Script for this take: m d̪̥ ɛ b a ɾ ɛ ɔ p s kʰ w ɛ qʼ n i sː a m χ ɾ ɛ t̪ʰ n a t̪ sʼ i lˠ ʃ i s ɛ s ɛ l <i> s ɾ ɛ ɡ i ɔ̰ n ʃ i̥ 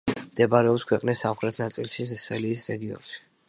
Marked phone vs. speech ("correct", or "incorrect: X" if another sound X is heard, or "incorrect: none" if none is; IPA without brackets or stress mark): incorrect: iː